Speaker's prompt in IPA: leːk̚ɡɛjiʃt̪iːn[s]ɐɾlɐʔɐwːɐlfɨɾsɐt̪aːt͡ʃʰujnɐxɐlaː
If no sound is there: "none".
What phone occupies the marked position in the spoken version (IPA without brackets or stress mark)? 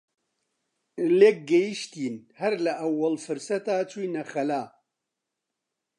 h